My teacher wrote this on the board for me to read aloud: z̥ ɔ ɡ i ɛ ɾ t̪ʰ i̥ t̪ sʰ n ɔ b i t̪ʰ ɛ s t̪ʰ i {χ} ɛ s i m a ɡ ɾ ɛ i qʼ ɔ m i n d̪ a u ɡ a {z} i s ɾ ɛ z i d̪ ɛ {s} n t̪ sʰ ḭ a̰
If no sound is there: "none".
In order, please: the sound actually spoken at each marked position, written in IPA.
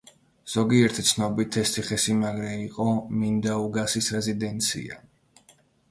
χ, s, none

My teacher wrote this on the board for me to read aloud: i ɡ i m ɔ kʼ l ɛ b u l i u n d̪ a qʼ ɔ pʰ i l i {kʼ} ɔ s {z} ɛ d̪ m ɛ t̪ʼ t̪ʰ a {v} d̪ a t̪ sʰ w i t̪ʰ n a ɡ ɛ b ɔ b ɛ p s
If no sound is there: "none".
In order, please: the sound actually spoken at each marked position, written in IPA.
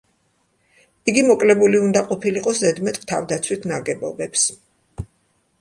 qʼ, z, v

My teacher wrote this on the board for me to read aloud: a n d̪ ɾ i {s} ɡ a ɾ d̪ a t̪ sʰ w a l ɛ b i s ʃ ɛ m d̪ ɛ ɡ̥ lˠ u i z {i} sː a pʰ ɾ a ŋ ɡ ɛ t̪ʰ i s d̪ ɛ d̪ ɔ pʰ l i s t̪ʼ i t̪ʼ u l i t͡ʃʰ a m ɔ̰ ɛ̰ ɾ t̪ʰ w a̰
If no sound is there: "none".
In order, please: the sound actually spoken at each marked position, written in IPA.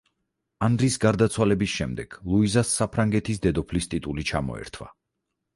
s, a

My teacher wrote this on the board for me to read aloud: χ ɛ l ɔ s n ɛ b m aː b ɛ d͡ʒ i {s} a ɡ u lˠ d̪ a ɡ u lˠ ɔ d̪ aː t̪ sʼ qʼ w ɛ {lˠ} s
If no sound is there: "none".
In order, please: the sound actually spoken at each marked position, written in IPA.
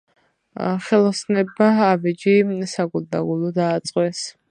s, none

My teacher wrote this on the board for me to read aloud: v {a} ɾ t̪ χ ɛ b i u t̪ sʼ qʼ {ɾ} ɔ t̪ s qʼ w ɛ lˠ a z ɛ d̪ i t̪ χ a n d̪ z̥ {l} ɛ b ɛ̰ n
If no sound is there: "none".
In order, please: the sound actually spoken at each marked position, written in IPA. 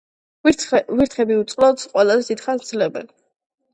i, l, l

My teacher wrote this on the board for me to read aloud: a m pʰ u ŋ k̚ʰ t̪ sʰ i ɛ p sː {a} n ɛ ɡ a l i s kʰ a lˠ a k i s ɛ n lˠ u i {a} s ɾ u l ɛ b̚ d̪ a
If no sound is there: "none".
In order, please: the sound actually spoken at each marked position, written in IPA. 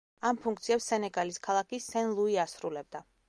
ɛ, a

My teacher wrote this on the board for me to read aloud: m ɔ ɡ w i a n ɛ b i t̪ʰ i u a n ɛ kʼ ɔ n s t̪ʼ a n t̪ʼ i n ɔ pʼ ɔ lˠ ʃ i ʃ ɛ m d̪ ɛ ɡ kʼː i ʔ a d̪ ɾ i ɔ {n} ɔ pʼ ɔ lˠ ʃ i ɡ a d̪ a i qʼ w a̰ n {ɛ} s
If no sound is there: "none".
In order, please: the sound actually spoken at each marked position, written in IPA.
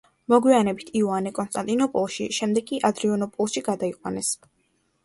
n, ɛ

